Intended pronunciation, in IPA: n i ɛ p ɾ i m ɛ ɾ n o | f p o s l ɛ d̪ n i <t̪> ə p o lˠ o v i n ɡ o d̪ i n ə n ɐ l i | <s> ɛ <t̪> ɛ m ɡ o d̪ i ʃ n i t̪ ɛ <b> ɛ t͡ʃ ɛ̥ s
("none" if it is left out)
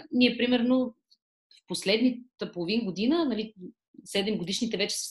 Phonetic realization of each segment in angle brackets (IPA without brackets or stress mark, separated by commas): t̪, s, d̪, v